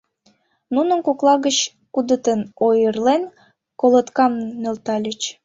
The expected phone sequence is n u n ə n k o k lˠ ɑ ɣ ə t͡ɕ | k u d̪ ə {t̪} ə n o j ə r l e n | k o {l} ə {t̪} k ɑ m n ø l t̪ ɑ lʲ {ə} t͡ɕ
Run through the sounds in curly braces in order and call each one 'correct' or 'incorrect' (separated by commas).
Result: correct, correct, correct, correct